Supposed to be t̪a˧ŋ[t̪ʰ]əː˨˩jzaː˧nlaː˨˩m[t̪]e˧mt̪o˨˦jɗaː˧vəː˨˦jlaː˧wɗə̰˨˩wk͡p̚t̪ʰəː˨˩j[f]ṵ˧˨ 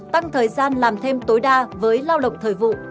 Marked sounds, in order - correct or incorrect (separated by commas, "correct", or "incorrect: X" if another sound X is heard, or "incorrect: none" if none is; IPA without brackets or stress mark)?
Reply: correct, incorrect: t̪ʰ, incorrect: v